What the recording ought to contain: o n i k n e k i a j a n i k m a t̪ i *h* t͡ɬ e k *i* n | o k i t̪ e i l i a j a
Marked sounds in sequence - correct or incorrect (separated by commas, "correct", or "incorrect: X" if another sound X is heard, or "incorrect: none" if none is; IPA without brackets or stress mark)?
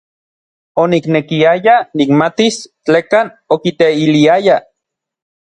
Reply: incorrect: s, incorrect: a